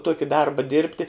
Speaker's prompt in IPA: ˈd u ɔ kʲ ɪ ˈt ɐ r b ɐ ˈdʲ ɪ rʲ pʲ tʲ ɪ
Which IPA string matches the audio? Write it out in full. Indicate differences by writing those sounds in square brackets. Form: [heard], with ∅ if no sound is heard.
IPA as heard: [ˈt] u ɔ kʲ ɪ [ˈd] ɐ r b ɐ ˈdʲ ɪ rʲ pʲ tʲ ɪ